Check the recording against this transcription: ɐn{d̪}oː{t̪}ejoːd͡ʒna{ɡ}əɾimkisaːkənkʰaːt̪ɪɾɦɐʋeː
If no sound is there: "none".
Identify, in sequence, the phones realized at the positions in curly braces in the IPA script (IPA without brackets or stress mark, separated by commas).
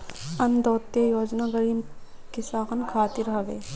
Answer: d̪, t̪, ɡ